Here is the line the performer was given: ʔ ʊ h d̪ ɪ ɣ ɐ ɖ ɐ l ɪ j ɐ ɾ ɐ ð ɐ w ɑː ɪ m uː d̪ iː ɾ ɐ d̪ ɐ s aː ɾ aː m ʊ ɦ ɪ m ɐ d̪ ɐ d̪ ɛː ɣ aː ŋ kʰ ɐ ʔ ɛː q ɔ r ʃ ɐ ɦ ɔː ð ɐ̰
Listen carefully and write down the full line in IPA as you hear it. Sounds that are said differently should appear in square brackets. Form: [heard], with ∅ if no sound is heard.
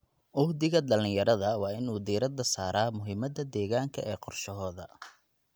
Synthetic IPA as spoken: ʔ ʊ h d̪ ɪ ɣ ɐ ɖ ɐ l ɪ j ɐ ɾ ɐ ð ɐ w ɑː ɪ [n] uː d̪ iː ɾ ɐ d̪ ɐ s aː ɾ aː m ʊ ɦ ɪ m ɐ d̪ ɐ d̪ ɛː ɣ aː ŋ kʰ ɐ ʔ ɛː q ɔ r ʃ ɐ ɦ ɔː ð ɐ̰